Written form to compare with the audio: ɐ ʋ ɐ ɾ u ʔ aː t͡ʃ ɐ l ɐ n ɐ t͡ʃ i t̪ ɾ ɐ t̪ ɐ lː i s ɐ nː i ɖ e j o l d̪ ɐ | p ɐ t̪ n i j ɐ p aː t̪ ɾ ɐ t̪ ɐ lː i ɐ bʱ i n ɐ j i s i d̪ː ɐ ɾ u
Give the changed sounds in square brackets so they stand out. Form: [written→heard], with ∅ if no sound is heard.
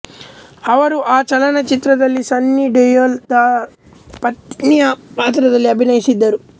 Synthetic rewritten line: ɐ ʋ ɐ ɾ u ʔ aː t͡ʃ ɐ l ɐ n ɐ t͡ʃ i t̪ ɾ ɐ [t̪→d̪] ɐ lː i s ɐ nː i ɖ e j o l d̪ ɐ | p ɐ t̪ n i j ɐ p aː t̪ ɾ ɐ [t̪→d̪] ɐ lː i ɐ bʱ i n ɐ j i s i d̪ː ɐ ɾ u